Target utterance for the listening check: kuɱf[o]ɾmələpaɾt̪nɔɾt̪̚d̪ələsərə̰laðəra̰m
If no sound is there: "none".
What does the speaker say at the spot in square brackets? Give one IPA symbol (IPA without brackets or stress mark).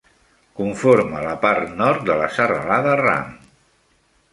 o